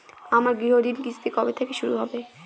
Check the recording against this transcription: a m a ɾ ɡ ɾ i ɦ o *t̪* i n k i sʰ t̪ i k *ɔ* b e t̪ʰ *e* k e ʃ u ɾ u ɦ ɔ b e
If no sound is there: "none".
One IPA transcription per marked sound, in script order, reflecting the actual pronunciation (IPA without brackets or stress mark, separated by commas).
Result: d̪, ɔ, e